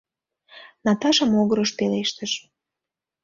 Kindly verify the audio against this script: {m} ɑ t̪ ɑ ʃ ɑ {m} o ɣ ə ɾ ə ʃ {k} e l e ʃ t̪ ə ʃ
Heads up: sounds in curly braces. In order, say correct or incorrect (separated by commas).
incorrect, correct, incorrect